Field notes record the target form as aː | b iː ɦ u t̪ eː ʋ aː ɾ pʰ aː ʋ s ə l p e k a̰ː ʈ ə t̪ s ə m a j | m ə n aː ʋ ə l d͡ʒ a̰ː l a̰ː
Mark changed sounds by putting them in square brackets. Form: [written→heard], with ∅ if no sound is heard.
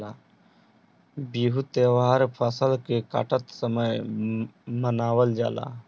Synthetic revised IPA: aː | b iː ɦ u t̪ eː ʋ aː ɾ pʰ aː [ʋ→∅] s ə l [p→k] e k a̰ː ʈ ə t̪ s ə m [a→ə] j | m ə n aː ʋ ə l d͡ʒ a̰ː l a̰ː